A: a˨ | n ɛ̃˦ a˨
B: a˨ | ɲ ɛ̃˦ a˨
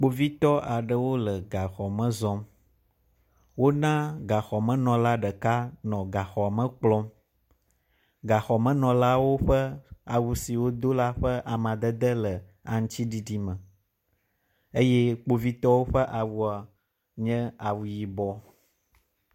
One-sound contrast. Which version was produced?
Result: B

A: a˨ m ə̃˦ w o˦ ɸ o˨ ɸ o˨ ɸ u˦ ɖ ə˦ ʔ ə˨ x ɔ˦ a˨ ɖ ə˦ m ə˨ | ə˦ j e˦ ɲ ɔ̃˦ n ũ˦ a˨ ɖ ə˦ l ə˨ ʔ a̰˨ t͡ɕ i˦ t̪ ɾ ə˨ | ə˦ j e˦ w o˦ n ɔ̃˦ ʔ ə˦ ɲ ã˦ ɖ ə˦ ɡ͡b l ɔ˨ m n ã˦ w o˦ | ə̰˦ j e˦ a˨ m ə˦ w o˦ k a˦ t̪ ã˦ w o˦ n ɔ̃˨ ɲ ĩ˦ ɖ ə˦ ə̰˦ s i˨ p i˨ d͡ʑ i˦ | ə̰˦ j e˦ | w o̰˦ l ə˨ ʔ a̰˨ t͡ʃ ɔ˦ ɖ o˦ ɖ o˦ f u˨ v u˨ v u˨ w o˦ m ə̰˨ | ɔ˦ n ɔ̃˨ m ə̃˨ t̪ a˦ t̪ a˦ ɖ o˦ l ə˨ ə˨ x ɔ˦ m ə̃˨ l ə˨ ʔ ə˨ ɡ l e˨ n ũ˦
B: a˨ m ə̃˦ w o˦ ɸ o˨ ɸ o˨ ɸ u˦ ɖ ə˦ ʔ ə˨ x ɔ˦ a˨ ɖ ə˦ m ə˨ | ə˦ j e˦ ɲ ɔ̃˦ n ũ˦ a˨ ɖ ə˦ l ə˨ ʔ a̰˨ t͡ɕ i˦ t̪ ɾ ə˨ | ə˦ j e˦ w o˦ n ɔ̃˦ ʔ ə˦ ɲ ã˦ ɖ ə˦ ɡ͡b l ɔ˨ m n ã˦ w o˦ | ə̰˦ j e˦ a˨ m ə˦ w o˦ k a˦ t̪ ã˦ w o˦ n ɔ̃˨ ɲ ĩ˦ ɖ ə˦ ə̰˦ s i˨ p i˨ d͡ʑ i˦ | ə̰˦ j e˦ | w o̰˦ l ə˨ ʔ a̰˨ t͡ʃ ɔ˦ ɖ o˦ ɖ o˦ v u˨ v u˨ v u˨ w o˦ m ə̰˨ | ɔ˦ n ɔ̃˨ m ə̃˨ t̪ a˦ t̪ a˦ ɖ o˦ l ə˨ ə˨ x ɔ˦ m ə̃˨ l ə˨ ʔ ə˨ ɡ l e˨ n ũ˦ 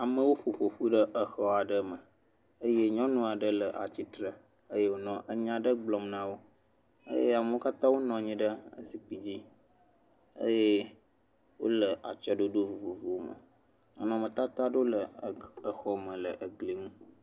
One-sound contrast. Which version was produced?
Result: B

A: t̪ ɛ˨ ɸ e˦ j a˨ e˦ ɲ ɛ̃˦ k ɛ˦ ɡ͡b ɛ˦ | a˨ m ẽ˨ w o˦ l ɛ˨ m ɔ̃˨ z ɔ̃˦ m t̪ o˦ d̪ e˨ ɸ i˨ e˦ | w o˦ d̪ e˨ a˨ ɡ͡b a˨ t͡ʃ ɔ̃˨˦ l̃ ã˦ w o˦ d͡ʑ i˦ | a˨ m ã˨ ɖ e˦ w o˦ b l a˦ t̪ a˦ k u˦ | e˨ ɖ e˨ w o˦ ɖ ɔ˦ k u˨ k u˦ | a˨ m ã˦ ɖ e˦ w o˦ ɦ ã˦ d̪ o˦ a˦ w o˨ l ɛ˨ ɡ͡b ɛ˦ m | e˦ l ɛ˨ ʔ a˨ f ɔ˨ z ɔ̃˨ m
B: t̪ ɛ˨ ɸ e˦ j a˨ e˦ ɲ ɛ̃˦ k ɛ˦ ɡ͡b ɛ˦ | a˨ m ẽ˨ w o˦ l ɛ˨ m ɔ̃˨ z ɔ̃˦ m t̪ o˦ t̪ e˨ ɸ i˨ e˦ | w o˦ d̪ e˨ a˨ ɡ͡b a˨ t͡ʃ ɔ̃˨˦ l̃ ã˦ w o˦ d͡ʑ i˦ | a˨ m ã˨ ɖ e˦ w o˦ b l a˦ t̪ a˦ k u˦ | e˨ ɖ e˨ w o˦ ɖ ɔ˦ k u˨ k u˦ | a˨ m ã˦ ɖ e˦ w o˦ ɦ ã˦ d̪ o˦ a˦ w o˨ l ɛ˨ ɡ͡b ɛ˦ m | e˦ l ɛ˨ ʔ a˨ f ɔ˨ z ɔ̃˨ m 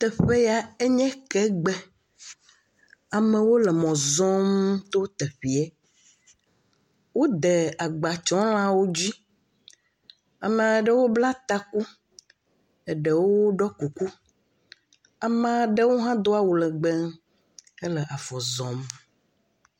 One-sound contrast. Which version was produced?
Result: B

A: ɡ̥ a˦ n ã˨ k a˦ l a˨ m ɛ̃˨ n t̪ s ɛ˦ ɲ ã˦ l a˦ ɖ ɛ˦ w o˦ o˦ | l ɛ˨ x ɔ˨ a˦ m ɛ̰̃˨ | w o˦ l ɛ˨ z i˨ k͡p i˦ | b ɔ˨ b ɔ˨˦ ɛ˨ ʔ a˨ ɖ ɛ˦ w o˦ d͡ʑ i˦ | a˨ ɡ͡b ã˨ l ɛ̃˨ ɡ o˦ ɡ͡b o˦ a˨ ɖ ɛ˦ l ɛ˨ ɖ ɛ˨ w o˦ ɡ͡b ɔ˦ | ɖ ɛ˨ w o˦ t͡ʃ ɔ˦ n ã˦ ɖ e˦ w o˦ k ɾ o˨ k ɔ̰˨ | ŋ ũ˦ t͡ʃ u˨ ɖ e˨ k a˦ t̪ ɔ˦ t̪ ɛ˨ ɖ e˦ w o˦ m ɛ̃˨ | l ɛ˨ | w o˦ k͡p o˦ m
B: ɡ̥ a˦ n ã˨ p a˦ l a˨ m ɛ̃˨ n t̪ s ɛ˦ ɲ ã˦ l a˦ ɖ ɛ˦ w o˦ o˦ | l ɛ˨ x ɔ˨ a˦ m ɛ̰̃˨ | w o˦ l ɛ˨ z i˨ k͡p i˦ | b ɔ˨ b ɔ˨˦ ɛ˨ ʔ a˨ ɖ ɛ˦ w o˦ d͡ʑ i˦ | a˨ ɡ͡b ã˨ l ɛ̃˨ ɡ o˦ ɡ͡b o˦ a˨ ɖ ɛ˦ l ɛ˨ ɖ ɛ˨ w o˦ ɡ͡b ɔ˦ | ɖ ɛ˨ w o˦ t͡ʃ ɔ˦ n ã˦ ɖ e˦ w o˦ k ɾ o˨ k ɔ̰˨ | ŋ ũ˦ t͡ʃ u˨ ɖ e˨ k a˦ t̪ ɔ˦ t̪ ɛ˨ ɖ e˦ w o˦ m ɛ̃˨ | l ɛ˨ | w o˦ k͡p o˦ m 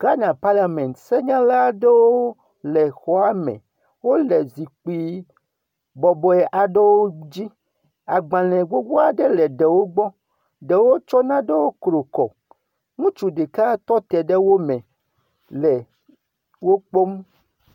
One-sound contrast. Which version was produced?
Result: B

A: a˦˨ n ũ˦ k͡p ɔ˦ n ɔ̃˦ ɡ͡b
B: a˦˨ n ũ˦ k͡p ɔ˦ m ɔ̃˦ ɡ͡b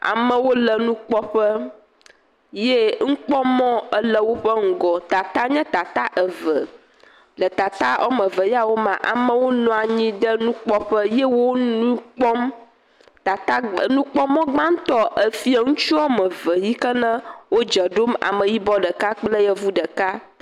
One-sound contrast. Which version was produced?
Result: B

